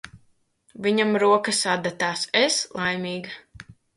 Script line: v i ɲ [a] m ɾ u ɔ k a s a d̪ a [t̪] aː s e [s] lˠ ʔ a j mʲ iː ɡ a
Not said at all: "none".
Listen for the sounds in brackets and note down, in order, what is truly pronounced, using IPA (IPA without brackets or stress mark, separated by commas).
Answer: a, t̪, s